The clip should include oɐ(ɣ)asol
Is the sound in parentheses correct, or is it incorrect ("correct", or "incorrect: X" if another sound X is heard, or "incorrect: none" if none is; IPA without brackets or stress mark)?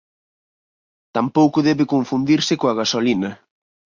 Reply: correct